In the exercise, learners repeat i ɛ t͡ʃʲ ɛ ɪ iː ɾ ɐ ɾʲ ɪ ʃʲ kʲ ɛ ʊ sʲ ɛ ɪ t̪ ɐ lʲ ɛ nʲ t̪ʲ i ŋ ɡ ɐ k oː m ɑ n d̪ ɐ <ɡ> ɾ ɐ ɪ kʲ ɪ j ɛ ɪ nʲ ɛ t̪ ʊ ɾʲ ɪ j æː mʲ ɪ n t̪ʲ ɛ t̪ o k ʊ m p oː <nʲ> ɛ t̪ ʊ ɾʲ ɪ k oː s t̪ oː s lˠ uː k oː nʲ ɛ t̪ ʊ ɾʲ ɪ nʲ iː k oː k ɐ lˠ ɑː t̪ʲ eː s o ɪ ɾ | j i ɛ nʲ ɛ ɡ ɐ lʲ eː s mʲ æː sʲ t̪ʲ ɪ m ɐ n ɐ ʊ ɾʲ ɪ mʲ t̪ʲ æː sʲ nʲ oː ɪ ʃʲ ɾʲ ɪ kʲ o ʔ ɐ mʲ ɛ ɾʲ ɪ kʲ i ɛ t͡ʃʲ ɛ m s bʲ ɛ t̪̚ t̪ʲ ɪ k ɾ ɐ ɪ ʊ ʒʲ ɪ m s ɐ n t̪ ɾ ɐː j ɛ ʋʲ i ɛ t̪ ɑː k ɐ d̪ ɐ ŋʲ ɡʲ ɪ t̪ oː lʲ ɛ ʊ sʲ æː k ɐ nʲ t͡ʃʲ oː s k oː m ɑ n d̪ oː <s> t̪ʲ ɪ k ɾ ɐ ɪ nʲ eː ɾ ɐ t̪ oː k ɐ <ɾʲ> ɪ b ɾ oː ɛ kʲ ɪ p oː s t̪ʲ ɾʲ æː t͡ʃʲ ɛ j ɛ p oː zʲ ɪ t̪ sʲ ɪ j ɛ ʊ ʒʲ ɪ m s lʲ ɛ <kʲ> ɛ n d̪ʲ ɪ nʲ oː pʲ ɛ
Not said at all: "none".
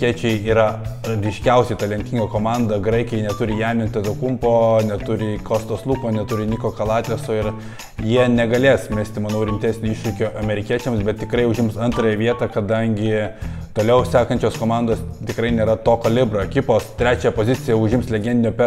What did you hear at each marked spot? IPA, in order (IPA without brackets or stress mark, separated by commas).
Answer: ɡ, nʲ, s, lʲ, ɡʲ